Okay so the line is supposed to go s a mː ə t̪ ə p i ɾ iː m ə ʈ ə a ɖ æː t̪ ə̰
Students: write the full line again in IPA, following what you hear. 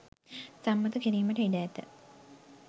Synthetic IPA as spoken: s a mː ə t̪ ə k i ɾ iː m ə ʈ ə i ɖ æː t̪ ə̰